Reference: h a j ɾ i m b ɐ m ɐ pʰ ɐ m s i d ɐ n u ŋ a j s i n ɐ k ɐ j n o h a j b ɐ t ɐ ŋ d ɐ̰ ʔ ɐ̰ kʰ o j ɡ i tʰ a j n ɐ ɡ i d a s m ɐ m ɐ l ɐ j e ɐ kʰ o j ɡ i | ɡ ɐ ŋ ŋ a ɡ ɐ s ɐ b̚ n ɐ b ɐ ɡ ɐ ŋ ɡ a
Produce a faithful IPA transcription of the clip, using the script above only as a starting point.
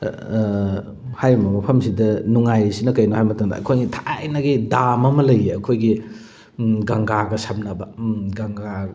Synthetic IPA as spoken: h a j ɾ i m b ɐ m ɐ pʰ ɐ m s i d ɐ n u ŋ a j s i n ɐ k ɐ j n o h a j m ɐ t ɐ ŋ d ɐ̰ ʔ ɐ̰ kʰ o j ɡ i tʰ a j n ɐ ɡ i d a m ɐ m ɐ l ɐ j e ɐ kʰ o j ɡ i | ɡ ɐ ŋ ɡ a ɡ ɐ s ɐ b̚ n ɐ b ɐ ɡ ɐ ŋ ɡ a